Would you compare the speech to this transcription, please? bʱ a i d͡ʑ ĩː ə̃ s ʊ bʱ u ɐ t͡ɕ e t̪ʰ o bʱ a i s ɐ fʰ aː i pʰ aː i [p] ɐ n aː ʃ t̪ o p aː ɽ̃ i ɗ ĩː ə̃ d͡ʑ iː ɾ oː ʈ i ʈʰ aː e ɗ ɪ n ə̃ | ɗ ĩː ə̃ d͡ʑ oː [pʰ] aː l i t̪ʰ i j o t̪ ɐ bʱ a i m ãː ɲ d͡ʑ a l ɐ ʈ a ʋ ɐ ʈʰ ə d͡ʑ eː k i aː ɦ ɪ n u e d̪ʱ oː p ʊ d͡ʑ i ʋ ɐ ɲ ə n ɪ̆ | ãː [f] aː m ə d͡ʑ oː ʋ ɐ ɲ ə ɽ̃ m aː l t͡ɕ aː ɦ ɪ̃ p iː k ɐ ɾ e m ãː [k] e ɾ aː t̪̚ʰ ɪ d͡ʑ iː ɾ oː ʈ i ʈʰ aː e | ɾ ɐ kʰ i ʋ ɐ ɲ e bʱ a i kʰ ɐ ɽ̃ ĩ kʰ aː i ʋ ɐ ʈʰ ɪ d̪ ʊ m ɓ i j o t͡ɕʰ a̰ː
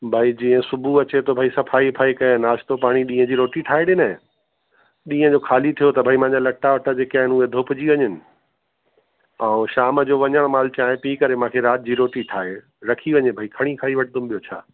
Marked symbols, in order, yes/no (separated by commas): no, no, no, no